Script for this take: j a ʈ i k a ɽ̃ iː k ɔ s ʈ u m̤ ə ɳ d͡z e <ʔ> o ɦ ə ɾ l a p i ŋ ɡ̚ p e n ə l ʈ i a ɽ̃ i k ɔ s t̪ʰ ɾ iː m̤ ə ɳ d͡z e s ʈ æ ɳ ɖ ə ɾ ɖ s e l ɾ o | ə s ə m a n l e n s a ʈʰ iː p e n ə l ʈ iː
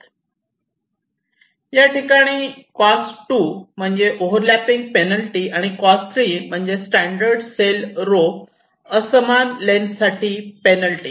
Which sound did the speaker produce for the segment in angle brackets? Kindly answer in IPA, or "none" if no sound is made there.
ʔ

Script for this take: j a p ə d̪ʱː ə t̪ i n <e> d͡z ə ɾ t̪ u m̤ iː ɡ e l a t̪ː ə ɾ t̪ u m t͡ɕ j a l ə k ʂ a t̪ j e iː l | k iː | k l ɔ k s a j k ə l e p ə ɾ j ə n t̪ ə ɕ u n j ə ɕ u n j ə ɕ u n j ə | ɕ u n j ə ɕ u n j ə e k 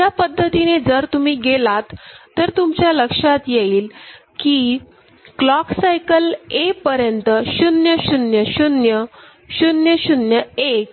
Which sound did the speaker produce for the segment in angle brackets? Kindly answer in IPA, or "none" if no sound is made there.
e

